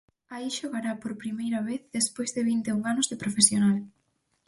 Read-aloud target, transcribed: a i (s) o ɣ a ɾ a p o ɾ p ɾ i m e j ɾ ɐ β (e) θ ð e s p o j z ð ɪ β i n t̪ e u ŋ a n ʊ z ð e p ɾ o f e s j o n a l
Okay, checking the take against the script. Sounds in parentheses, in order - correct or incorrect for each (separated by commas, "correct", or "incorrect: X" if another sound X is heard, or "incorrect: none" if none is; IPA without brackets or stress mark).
incorrect: ʃ, correct